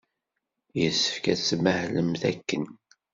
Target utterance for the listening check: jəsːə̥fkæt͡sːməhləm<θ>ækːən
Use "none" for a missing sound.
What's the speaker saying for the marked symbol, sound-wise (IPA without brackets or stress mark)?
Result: θ